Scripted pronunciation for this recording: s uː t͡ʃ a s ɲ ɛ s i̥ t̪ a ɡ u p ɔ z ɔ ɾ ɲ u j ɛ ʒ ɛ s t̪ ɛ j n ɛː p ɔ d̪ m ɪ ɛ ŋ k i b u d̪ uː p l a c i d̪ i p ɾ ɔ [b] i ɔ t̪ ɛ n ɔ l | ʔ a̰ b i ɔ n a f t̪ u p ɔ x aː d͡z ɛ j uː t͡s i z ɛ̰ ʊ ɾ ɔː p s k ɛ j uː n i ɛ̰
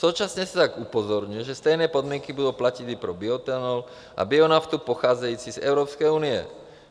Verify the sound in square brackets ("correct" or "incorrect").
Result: correct